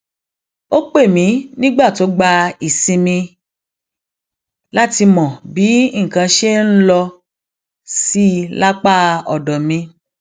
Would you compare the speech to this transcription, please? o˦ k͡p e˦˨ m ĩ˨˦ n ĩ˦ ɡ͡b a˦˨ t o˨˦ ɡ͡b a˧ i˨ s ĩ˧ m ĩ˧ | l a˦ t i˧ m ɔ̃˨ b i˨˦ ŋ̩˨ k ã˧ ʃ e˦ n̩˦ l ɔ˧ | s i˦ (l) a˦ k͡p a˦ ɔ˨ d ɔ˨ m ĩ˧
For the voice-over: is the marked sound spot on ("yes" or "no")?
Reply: yes